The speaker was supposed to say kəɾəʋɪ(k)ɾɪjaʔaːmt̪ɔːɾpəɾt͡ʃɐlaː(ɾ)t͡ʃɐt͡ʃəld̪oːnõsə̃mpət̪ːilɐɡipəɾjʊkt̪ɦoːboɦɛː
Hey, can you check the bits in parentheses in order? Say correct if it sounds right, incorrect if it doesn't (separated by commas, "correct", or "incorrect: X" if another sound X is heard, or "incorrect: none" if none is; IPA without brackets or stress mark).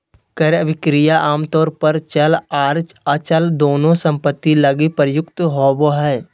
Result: correct, correct